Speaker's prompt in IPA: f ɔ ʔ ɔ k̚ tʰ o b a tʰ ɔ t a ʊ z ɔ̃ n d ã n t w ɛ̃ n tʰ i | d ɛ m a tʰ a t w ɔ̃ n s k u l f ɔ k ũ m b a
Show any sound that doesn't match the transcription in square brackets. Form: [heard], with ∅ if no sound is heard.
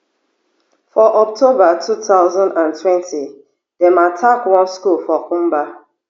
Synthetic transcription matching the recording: f ɔ ʔ ɔ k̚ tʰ o b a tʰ [u] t a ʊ z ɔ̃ n d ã n t w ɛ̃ n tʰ i | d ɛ m a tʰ a [k] w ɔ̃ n s k u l f ɔ k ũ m b a